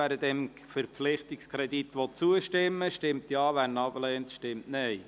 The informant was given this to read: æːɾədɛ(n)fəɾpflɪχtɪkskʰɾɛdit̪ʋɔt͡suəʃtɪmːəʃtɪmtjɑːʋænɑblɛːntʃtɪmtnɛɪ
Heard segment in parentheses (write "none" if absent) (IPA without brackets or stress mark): m